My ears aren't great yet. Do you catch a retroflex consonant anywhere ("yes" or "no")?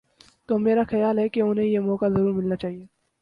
no